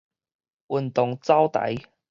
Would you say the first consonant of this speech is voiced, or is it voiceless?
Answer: voiced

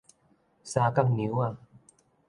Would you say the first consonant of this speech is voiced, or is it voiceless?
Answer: voiceless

